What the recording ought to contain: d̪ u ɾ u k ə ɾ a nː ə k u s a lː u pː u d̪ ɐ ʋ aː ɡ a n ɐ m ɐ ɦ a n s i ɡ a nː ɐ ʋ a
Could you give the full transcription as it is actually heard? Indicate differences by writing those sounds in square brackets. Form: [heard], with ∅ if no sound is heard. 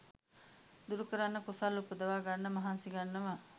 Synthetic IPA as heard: d̪ u ɾ u k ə ɾ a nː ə k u s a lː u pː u d̪ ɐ ʋ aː ɡ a [nː] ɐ m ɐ ɦ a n s i ɡ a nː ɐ ʋ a